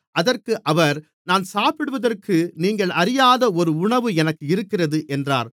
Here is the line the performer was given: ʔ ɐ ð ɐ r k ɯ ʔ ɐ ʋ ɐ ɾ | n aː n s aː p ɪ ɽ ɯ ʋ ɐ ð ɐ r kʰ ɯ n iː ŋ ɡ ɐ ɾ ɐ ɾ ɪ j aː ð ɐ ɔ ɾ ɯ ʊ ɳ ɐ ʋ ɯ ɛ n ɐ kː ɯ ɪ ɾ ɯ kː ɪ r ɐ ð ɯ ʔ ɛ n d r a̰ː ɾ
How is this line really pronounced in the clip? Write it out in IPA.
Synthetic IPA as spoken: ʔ ɐ ð ɐ r k ɯ ʔ ɐ ʋ ɐ ɾ | n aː n s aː p ɪ ɽ ɯ ʋ ɐ ð ɐ r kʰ ɯ n iː ŋ ɡ ɐ ɭ ɐ ɾ ɪ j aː ð ɐ ɔ ɾ ɯ ʊ ɳ ɐ ʋ ɯ ɛ n ɐ kː ɯ ɪ ɾ ɯ kː ɪ r ɐ ð ɯ ʔ ɛ n d r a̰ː ɾ